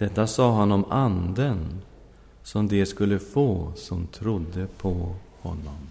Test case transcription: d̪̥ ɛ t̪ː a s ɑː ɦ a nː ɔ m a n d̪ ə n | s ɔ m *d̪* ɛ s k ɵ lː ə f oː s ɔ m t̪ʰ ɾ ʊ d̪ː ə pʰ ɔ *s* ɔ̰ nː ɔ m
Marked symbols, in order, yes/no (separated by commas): yes, no